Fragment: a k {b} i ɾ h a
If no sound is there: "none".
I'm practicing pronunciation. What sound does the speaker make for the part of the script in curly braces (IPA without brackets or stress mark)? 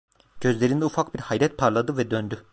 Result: b